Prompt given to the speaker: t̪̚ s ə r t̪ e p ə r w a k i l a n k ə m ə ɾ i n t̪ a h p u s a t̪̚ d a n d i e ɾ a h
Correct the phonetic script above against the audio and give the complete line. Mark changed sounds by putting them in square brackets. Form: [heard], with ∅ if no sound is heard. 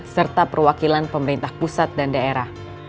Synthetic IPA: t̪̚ s ə r t̪ [a] p ə r w a k i l a n [p] ə m ə ɾ i n t̪ a h p u s a t̪̚ d a n d [a] e ɾ a h